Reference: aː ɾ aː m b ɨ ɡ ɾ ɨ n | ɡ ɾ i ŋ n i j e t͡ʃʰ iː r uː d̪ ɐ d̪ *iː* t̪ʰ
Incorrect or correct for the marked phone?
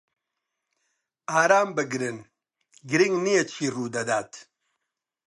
incorrect: aː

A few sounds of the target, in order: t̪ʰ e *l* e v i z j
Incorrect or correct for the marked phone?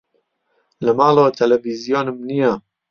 correct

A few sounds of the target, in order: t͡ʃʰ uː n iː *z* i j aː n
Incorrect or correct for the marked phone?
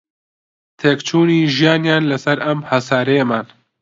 incorrect: ʒ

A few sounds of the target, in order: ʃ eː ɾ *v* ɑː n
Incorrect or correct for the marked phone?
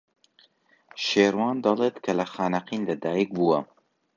incorrect: w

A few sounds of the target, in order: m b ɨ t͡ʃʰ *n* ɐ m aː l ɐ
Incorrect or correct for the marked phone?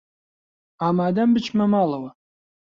incorrect: m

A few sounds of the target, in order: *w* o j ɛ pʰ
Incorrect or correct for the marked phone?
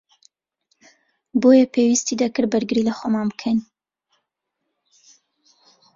incorrect: b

